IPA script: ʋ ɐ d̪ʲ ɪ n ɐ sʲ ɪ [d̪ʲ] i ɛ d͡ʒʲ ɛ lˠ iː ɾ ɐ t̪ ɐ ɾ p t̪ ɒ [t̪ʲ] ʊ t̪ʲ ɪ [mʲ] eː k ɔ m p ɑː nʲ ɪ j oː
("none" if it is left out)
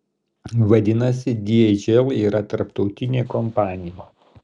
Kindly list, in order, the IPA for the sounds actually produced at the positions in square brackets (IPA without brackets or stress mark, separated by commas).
d̪ʲ, none, nʲ